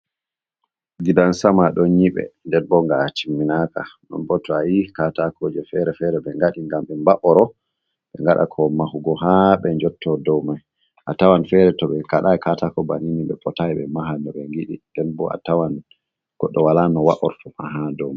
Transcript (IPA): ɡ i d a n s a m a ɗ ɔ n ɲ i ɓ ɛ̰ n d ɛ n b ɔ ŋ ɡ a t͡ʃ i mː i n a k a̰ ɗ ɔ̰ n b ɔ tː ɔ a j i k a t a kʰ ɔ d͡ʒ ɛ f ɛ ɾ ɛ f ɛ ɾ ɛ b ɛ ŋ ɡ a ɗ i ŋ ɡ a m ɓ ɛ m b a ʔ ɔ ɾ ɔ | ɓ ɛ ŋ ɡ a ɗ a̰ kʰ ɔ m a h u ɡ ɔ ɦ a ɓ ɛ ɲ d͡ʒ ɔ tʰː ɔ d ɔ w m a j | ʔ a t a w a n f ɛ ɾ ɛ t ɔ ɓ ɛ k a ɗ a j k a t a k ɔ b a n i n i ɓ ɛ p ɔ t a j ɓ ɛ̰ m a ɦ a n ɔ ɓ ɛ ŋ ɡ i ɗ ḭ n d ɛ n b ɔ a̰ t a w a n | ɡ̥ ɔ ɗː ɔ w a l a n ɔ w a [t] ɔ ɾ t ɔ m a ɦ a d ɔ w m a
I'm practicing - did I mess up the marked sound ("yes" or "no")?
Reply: yes